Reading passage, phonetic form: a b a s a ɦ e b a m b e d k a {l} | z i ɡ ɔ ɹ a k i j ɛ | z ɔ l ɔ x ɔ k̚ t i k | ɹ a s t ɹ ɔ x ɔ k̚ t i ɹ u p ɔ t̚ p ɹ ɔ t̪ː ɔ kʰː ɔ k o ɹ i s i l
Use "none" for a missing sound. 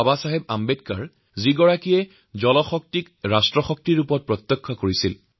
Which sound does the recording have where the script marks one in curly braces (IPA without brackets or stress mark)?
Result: ɹ